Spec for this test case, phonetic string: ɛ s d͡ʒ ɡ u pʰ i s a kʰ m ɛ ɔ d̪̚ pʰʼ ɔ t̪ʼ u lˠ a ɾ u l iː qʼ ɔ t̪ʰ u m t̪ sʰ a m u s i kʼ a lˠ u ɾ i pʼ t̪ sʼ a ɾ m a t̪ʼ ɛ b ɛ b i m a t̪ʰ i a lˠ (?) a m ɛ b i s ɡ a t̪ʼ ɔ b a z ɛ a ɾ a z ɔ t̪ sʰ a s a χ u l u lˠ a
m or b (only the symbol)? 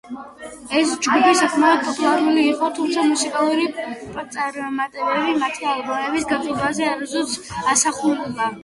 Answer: b